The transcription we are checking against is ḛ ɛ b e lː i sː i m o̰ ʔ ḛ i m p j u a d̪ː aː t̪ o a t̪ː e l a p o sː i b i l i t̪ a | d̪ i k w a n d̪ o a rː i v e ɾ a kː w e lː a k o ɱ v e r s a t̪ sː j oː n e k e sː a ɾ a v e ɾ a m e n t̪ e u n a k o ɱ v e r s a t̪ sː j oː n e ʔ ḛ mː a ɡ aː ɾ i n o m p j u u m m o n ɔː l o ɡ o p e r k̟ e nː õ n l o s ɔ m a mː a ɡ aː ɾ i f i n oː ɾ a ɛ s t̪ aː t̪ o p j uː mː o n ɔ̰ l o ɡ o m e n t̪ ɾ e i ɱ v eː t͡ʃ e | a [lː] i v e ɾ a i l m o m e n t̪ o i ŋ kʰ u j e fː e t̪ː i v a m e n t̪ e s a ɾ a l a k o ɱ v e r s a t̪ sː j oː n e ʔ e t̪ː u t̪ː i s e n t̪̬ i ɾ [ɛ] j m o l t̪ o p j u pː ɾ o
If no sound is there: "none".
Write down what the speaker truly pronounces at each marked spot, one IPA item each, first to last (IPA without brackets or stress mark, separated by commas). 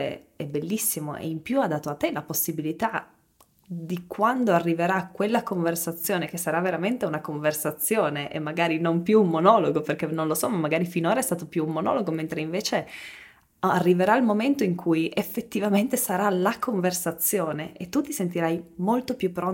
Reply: rː, a